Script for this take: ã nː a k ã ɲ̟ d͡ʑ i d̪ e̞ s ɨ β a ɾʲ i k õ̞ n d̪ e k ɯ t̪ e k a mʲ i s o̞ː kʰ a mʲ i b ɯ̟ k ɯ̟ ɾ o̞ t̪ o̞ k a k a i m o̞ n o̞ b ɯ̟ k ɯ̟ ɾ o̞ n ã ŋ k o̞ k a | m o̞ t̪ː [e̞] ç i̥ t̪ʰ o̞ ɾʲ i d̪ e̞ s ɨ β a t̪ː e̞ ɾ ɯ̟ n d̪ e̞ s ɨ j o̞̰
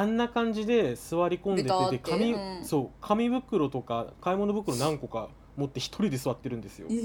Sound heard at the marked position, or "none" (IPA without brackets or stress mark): e̞